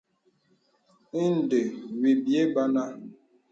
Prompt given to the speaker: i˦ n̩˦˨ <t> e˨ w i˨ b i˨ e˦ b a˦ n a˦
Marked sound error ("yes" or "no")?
yes